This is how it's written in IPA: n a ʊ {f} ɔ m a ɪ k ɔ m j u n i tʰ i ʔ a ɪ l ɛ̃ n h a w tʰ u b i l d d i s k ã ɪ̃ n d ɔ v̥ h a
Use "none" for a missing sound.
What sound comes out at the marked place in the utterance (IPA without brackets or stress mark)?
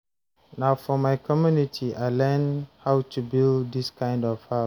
f